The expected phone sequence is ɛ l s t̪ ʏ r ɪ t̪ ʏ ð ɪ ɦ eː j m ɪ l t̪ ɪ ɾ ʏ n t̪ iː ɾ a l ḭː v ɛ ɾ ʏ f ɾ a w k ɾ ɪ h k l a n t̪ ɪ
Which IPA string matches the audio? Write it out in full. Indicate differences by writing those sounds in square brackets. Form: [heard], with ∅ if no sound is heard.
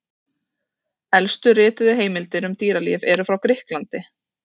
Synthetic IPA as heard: ɛ l s t̪ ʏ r [ɪː] t̪ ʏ ð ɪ ɦ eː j m ɪ l t̪ ɪ ɾ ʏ [m] t̪ iː ɾ a l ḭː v ɛ ɾ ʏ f ɾ a w k ɾ ɪ h k l a n t̪ ɪ